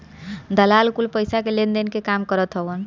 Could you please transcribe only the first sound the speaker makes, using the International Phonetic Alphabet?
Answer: d̪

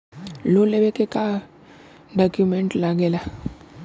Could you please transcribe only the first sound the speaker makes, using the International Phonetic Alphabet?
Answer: l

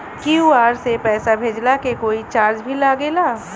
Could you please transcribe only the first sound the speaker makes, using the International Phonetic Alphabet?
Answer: k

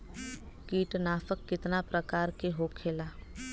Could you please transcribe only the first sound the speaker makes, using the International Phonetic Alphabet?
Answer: k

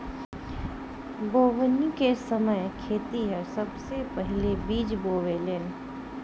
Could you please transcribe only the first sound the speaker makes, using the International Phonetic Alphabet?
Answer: b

